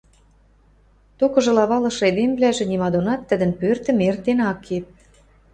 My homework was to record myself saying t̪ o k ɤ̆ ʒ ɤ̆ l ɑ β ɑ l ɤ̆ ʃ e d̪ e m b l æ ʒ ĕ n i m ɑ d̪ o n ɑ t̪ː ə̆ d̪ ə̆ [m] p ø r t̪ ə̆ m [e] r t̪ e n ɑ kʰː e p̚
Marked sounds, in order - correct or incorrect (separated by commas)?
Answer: incorrect, correct